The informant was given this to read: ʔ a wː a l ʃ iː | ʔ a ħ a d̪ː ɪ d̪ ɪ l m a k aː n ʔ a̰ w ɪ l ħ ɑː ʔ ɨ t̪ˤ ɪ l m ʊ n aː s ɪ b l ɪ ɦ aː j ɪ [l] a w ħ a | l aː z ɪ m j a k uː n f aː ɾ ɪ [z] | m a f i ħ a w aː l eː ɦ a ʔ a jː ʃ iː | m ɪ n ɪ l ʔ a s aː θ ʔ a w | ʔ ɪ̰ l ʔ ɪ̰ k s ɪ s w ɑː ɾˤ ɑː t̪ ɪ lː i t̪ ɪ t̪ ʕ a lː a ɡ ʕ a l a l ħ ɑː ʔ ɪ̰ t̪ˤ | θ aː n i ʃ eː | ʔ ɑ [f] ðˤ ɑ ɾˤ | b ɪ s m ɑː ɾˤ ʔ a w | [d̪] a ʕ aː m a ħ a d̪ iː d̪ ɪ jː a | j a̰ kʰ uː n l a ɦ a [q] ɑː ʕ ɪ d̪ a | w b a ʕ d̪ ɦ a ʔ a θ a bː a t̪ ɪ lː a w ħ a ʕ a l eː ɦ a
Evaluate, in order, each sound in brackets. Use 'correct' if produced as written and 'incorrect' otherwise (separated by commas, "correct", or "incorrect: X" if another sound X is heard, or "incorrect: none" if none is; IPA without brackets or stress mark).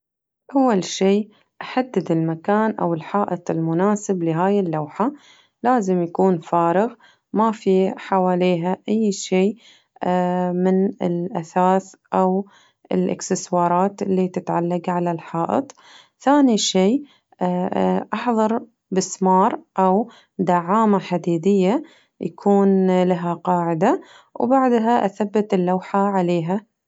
incorrect: lː, incorrect: ɣ, incorrect: ħ, correct, correct